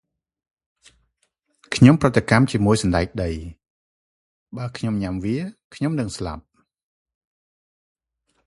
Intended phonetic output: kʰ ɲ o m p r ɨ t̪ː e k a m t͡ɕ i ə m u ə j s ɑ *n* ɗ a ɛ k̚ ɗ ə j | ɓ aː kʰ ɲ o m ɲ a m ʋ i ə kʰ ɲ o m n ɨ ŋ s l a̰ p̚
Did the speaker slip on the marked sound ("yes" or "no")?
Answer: no